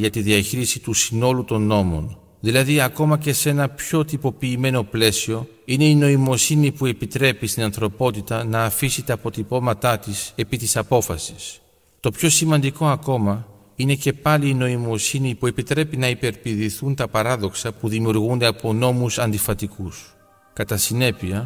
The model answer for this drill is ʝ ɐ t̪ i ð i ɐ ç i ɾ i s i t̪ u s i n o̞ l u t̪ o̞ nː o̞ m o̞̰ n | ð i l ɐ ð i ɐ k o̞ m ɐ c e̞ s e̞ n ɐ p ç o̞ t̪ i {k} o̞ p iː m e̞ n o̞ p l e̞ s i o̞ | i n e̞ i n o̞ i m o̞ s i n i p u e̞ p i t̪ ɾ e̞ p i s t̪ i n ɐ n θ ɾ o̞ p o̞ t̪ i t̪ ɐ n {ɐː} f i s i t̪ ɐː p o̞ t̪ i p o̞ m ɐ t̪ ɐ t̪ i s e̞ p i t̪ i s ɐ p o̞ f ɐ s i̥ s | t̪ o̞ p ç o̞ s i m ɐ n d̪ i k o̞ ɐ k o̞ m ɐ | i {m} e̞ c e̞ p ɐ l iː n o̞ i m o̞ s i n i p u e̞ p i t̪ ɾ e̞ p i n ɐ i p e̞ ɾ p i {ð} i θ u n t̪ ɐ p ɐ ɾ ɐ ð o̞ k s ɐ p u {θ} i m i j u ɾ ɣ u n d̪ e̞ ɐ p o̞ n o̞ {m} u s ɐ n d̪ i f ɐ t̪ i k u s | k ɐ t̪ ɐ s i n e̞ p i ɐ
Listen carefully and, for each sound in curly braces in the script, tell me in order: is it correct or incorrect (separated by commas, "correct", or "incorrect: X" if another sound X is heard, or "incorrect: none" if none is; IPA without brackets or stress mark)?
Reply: incorrect: p, correct, incorrect: n, correct, incorrect: ð, correct